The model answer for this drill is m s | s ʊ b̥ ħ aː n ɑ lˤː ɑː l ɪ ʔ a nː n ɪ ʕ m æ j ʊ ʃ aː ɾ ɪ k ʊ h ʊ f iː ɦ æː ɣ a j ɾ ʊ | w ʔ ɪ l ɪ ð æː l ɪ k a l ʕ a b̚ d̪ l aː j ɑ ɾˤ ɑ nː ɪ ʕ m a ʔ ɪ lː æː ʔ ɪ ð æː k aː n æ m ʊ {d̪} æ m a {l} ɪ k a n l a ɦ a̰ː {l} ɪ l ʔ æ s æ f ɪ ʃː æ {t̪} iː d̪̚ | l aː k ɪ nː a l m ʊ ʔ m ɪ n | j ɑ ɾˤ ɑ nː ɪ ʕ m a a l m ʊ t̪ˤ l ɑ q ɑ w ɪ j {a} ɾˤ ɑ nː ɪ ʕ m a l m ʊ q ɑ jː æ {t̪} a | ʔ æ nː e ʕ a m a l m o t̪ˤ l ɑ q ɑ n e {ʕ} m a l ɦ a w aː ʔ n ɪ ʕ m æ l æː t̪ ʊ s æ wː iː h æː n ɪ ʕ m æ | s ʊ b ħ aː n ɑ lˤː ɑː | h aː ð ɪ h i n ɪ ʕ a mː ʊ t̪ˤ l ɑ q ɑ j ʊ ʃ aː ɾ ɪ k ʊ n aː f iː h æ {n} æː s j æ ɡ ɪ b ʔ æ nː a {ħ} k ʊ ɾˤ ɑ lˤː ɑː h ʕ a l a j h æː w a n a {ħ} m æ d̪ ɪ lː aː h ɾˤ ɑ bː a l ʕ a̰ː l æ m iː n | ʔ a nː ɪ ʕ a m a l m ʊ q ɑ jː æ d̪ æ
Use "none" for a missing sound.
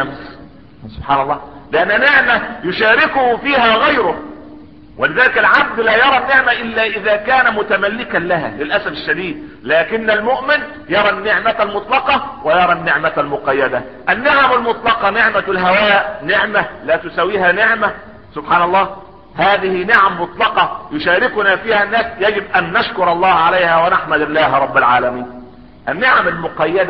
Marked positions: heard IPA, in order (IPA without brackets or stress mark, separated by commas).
t̪, lː, l, d̪, ɑ, d̪, ʕ, nː, ʃ, ħ